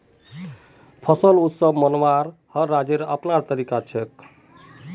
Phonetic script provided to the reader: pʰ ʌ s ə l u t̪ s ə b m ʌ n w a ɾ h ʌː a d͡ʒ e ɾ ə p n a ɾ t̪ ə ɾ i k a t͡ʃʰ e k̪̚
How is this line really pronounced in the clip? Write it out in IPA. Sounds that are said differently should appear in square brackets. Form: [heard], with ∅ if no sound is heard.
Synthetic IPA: pʰ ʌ s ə l u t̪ s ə b m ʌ n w a ɾ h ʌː a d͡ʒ e ɾ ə p n a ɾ t̪ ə ɾ i k a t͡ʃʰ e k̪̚